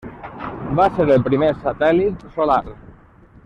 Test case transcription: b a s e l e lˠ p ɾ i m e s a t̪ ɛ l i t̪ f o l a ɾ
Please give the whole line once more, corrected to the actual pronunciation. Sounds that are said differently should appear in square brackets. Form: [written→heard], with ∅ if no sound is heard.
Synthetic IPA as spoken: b a s e [l→ɾ] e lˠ p ɾ i m e s a t̪ ɛ l i t̪ [f→s] o l a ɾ

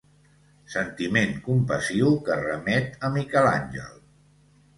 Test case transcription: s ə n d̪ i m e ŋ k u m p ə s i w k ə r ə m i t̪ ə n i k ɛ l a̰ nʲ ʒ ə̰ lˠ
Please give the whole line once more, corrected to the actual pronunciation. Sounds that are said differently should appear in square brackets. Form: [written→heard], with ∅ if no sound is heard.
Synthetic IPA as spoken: s ə n [d̪→t̪] i m e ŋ k u m p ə s i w k ə r ə m [i→ɛ] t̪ ə [n→m] i k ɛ l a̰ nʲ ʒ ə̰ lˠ

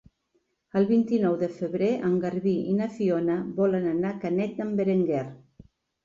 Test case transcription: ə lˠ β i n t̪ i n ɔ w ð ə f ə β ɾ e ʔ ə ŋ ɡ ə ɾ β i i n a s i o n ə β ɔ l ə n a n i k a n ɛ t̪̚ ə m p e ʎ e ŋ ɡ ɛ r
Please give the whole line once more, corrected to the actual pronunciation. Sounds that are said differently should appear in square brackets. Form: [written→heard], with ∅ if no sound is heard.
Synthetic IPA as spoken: ə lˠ β i n t̪ i n ɔ w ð ə f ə β ɾ e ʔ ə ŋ ɡ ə ɾ β i i n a [s→f] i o n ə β ɔ l ə n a n [i→a] k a n ɛ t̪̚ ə m [p→b] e [ʎ→ɾ] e ŋ ɡ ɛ r

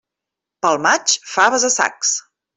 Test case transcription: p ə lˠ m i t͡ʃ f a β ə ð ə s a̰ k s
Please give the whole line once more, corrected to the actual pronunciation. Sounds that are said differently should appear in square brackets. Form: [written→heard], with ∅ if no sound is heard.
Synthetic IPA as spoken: p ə lˠ m [i→a] t͡ʃ f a β ə [ð→z] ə s a̰ k s

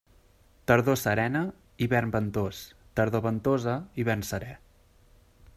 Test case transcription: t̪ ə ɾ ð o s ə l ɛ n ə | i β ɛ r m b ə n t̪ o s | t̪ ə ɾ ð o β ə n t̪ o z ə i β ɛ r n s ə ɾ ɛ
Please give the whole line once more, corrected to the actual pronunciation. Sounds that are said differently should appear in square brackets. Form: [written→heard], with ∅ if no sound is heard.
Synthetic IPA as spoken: t̪ ə ɾ ð o s ə [l→ɾ] ɛ n ə | i β ɛ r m b ə n t̪ o s | t̪ ə ɾ ð o β ə n t̪ o z ə i β ɛ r n s ə ɾ ɛ

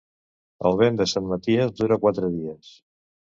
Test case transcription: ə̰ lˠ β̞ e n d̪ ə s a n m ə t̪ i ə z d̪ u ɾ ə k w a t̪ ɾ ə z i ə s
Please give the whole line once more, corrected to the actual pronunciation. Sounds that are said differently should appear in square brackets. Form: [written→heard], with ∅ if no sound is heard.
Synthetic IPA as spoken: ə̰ lˠ β̞ e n d̪ ə s a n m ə t̪ i ə z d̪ u ɾ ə k w a t̪ ɾ ə [z→ð] i ə s

